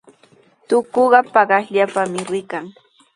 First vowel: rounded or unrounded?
rounded